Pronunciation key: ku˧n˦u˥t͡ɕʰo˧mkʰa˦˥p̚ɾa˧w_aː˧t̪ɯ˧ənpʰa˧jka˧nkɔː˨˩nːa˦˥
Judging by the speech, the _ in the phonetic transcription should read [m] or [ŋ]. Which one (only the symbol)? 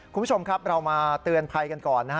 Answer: m